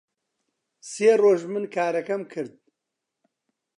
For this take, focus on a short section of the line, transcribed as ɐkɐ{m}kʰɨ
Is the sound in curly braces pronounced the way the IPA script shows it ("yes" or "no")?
yes